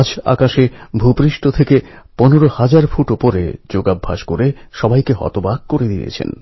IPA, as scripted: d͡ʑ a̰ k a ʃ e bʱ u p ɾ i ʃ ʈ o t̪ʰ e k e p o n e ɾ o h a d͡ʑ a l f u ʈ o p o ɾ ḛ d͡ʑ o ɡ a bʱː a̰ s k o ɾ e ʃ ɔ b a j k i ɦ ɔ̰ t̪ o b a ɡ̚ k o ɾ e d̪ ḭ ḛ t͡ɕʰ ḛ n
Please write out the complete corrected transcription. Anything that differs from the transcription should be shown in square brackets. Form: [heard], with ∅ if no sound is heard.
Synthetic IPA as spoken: d͡ʑ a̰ k a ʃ e bʱ u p ɾ i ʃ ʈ o t̪ʰ e k e p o n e ɾ o h a d͡ʑ a [ɾ] f u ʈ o p o ɾ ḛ d͡ʑ o ɡ a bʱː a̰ [ʃ] k o ɾ e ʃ ɔ b a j k [e] ɦ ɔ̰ t̪ o b a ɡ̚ k o ɾ e d̪ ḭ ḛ t͡ɕʰ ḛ n